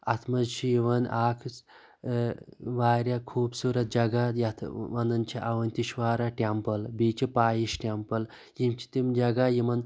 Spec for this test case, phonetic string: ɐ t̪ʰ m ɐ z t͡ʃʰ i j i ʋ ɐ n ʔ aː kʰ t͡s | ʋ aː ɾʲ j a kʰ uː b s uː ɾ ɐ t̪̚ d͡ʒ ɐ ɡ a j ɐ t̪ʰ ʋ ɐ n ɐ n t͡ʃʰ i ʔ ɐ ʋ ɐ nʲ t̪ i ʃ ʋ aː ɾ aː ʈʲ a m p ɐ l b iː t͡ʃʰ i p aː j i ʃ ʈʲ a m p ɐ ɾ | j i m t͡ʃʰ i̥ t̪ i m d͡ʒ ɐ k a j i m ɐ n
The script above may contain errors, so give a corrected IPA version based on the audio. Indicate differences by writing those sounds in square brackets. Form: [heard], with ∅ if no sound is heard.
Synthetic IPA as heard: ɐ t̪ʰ m ɐ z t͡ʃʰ i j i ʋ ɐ n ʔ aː kʰ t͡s | ʋ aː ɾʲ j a kʰ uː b s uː ɾ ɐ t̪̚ d͡ʒ ɐ ɡ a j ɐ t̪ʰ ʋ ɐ n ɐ n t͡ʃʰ i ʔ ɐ ʋ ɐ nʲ t̪ i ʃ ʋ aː ɾ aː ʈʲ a m p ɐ l b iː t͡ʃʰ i p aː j i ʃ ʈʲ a m p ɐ [l] | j i m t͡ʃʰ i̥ t̪ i m d͡ʒ ɐ [ɡ] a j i m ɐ n

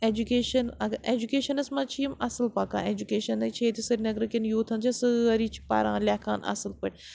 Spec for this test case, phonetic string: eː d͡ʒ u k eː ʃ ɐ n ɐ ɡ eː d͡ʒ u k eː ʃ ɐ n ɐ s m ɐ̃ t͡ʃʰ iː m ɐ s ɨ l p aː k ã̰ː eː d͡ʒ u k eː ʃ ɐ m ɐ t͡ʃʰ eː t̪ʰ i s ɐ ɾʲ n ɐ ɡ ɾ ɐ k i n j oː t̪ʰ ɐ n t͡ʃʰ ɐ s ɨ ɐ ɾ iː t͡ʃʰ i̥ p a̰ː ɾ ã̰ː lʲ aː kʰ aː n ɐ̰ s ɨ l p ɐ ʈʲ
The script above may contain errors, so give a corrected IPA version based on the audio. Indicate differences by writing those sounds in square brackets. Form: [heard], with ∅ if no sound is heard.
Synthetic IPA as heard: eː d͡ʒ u k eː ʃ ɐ n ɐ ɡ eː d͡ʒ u k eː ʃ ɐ n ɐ s m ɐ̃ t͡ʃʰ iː m ɐ s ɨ l p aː k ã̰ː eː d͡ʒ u k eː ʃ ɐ [n] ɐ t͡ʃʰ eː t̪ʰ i s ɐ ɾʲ n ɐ ɡ ɾ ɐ k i n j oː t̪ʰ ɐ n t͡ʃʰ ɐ s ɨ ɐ ɾ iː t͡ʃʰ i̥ p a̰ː ɾ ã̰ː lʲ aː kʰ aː n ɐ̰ s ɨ l p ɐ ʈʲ

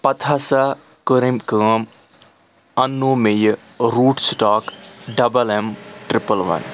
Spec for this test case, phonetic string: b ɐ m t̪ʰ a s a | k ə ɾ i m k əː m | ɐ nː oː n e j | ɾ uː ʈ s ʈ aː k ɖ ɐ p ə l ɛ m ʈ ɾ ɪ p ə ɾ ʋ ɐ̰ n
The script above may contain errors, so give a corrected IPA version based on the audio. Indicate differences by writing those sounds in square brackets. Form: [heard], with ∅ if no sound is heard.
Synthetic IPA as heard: [p] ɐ [∅] t̪ʰ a s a | k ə ɾ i m k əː m | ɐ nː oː [m] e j | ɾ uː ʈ s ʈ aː k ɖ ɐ [b] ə l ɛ m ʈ ɾ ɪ p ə [l] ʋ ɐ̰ n

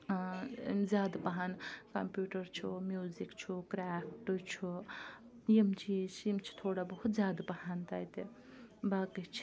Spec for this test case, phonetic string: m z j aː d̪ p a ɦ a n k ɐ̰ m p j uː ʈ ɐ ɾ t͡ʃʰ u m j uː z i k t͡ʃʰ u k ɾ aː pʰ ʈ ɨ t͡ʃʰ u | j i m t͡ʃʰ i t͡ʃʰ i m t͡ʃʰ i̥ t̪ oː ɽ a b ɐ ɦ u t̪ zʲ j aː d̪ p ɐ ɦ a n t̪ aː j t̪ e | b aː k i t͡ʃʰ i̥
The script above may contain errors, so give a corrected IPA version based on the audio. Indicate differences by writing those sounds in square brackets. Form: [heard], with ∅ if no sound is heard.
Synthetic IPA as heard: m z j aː d̪ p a ɦ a n k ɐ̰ m p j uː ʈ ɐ ɾ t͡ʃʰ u m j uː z i k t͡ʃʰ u k ɾ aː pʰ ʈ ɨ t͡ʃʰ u | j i m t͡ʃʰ i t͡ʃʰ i m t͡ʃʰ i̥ [t̪ʰ] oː ɽ a b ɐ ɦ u t̪ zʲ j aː d̪ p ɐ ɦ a n t̪ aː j t̪ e | b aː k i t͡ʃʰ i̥

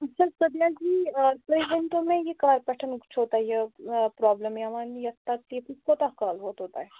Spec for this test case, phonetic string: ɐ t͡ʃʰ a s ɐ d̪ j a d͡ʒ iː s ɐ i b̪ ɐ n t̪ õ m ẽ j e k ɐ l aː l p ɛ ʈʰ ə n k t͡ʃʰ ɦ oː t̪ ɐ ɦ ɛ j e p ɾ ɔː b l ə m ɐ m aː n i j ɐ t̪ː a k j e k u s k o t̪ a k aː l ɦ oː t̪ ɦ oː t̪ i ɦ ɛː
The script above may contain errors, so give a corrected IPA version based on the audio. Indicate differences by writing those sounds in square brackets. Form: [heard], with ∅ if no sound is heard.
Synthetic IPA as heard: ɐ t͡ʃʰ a s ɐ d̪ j a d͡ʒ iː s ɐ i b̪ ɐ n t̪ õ m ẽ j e k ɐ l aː [ɾ] p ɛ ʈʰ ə n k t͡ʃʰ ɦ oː t̪ [a] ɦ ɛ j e p ɾ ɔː b l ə m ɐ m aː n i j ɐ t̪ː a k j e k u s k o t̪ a k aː l ɦ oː t̪ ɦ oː t̪ [a] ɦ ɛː

